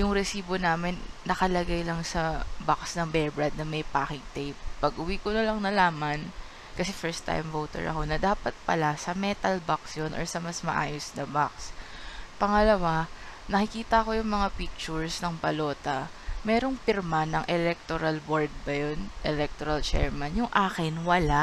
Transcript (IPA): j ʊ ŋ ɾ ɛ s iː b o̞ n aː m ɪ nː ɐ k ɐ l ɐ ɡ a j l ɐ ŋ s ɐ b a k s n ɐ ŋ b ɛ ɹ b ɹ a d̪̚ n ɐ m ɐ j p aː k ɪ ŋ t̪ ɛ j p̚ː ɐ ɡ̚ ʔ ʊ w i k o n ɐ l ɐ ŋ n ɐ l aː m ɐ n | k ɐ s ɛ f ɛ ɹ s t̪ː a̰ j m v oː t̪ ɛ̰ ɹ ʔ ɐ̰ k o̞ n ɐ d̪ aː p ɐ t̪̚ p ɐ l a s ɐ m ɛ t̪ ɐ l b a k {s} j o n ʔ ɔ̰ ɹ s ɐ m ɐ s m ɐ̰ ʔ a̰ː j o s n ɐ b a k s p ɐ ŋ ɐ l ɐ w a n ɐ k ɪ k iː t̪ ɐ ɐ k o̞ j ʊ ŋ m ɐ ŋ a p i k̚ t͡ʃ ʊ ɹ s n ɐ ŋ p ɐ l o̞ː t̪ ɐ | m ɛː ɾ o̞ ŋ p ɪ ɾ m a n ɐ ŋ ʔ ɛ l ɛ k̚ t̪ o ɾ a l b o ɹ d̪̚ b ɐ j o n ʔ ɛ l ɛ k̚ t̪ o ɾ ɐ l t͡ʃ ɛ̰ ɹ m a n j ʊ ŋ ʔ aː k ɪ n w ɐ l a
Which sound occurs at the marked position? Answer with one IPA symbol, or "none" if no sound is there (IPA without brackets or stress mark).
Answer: s